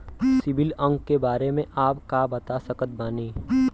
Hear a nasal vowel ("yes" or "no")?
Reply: yes